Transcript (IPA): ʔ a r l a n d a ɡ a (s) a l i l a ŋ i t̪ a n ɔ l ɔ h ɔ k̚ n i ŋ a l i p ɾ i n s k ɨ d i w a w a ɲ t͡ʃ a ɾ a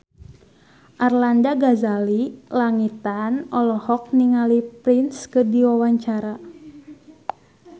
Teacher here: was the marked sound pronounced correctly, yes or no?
no